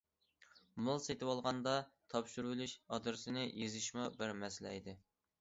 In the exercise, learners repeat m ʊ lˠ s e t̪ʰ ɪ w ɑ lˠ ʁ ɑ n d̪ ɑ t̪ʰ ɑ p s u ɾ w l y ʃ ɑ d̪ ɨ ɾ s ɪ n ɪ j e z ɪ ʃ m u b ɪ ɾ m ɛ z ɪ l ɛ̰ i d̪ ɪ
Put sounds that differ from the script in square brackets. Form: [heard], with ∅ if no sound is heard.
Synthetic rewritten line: m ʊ lˠ s e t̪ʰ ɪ w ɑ lˠ ʁ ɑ n d̪ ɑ t̪ʰ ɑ p [ʃ] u ɾ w l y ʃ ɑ d̪ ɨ ɾ s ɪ n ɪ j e z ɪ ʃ m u b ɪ ɾ m ɛ [s] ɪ l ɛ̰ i d̪ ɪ